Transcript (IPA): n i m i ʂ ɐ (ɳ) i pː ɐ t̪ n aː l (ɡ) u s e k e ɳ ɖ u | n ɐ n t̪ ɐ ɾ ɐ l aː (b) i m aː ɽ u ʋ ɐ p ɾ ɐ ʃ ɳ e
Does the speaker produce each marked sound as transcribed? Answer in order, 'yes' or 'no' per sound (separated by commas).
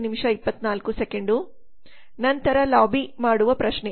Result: no, no, yes